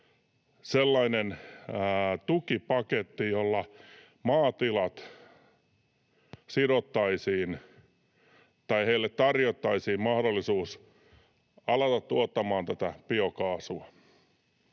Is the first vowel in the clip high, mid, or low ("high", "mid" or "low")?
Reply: mid